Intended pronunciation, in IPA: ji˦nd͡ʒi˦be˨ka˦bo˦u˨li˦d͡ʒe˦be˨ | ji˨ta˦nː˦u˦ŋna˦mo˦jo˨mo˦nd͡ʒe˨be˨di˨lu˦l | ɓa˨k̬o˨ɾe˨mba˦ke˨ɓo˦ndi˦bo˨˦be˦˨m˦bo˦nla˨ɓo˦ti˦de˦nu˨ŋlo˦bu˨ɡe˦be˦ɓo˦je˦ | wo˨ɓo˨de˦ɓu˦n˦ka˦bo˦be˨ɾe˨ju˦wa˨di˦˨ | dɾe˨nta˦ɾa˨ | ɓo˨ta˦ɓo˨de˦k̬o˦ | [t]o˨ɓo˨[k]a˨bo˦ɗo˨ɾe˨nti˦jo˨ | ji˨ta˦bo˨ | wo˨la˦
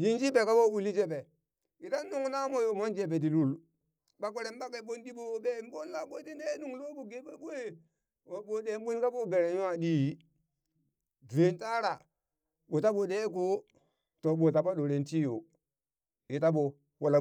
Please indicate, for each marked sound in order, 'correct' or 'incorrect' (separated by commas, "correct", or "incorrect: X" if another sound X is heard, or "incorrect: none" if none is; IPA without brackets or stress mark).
correct, incorrect: t